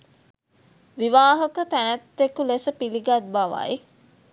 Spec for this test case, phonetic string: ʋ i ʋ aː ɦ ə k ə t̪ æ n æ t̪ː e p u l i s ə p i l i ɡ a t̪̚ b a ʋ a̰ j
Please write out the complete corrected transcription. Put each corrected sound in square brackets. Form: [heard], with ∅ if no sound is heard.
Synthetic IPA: ʋ i ʋ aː ɦ ə k ə t̪ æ n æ t̪ː e [k] u l [e] s ə p i l i ɡ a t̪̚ b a ʋ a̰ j